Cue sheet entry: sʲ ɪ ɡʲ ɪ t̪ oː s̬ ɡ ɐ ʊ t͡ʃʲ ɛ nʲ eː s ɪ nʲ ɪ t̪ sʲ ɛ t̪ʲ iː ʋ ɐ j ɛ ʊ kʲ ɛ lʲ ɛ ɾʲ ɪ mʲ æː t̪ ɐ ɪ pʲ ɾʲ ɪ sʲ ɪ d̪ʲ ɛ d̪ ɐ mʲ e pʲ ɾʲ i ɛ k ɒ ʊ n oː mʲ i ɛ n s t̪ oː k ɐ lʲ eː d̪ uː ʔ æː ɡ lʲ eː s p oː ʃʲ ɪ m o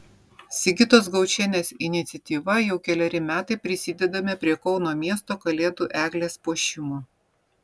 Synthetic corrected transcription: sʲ ɪ ɡʲ ɪ t̪ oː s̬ ɡ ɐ ʊ t͡ʃʲ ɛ nʲ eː s ɪ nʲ ɪ t̪ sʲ ɛ t̪ʲ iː ʋ ɐ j ɛ ʊ kʲ ɛ lʲ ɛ ɾʲ ɪ mʲ æː t̪ ɐ ɪ pʲ ɾʲ ɪ sʲ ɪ d̪ʲ ɛ d̪ ɐ mʲ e pʲ ɾʲ i ɛ k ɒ ʊ n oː mʲ i ɛ s t̪ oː k ɐ lʲ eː d̪ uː ʔ æː ɡ lʲ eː s p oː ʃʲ ɪ m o